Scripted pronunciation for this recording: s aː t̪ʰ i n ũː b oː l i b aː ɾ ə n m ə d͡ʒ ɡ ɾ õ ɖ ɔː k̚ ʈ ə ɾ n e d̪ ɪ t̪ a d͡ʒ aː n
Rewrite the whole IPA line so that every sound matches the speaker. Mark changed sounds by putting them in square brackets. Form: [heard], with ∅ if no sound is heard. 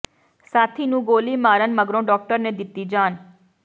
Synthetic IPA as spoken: s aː t̪ʰ i n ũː [ɡ] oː l i [m] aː ɾ ə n m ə [∅] ɡ ɾ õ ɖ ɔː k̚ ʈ ə ɾ n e d̪ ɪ t̪ [i] d͡ʒ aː n